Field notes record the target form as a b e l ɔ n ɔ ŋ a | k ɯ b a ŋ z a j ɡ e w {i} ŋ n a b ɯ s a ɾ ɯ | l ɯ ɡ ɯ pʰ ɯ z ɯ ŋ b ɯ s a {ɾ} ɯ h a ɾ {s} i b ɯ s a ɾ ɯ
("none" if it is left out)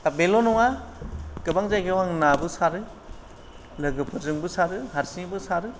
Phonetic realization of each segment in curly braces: a, ɾ, s

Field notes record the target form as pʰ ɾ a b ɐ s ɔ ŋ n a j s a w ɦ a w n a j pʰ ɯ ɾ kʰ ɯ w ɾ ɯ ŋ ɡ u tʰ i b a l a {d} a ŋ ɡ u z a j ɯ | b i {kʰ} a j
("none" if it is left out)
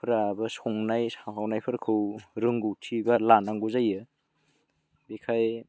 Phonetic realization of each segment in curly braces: n, kʰ

